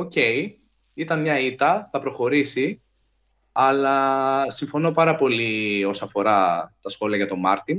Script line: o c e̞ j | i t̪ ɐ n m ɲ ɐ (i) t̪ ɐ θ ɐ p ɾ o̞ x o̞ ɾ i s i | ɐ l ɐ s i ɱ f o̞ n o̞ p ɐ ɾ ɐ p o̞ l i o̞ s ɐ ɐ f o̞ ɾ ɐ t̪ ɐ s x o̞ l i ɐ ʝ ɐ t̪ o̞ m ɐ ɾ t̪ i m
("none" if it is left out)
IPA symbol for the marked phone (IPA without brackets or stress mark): i